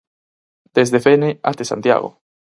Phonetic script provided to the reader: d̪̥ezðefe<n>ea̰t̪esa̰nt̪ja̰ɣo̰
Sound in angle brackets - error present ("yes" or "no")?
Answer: no